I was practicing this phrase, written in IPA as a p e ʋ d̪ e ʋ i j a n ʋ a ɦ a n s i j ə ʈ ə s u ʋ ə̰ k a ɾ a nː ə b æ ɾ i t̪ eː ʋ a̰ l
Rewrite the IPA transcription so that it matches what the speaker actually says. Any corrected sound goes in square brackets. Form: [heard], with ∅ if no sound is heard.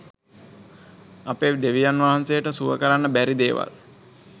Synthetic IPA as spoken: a p e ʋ d̪ e ʋ i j a n ʋ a ɦ a n s [e] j ə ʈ ə s u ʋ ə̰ k [ə] ɾ a nː ə b æ ɾ i [d̪] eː ʋ a̰ l